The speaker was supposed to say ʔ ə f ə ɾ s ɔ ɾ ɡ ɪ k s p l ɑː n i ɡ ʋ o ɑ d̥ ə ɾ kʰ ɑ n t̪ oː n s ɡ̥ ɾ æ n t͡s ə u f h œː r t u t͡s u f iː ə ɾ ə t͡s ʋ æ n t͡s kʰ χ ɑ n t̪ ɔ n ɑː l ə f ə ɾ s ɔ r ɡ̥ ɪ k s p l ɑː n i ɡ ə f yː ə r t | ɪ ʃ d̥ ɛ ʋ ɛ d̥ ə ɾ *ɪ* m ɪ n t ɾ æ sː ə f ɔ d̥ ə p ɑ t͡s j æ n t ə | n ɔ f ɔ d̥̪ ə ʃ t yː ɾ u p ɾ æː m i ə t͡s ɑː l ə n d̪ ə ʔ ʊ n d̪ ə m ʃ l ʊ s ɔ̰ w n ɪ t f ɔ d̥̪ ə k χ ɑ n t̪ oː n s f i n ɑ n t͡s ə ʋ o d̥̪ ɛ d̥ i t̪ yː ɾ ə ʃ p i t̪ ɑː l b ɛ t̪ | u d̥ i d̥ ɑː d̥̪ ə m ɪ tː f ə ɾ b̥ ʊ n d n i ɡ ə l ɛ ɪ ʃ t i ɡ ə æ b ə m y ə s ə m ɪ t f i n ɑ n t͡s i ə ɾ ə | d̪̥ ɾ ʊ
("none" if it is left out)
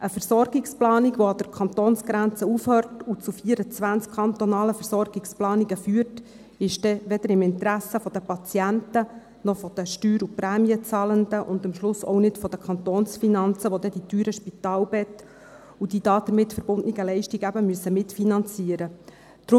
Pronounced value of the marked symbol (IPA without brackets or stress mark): ɪ